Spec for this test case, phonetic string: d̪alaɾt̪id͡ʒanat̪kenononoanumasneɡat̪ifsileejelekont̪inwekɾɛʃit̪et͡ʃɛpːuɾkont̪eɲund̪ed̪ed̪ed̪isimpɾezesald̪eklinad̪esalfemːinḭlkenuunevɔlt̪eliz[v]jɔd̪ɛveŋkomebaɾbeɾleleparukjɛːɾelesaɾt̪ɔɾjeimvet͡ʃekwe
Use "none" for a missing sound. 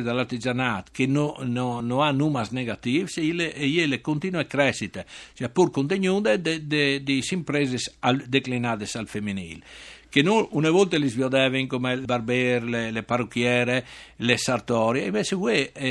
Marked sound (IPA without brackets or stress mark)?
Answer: v